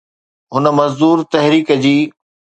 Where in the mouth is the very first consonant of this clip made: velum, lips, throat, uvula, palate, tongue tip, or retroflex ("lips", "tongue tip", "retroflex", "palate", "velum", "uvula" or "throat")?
throat